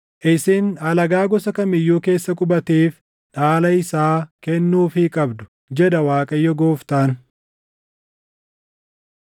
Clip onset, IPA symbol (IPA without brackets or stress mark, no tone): ʔ